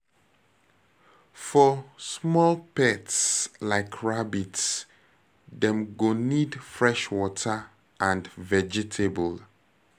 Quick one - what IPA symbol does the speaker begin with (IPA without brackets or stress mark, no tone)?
f